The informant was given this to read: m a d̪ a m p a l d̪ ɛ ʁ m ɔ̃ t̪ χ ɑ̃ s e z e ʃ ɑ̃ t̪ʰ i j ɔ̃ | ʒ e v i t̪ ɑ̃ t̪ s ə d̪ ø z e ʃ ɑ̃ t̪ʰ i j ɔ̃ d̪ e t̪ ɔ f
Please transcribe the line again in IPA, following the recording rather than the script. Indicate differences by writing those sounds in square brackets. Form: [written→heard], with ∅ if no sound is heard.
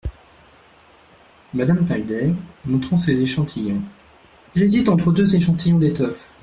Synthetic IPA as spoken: m a d̪ a m p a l d̪ ɛ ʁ m ɔ̃ t̪ χ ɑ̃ s e z e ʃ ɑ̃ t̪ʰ i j ɔ̃ | ʒ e [v→z] i t̪ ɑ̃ t̪ [s→χ] ə d̪ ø z e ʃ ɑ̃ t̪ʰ i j ɔ̃ d̪ e t̪ ɔ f